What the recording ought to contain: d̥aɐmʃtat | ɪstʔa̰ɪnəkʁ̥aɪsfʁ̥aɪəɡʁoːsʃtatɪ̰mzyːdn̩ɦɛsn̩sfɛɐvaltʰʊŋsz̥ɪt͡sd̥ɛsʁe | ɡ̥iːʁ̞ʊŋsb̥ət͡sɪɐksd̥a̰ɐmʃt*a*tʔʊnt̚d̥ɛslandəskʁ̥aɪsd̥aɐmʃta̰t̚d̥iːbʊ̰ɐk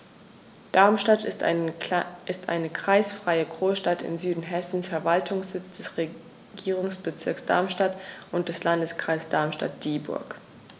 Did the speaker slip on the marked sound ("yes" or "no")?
no